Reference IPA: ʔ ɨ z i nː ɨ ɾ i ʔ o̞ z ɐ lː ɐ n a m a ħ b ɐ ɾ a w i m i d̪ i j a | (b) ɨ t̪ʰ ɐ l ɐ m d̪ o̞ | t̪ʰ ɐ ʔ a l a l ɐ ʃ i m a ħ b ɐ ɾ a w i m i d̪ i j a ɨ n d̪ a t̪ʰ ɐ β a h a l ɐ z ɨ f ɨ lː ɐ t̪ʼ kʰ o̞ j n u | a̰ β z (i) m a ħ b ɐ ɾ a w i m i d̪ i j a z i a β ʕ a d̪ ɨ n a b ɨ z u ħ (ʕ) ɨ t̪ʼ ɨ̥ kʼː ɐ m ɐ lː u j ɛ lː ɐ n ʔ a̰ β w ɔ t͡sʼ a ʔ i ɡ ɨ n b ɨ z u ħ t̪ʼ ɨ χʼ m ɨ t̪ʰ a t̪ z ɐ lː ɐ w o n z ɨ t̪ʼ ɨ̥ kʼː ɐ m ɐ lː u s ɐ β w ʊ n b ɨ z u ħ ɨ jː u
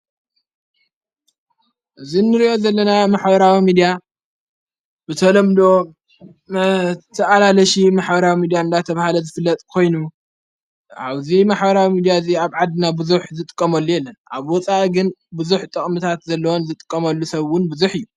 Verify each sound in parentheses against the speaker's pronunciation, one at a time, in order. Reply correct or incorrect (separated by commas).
correct, correct, incorrect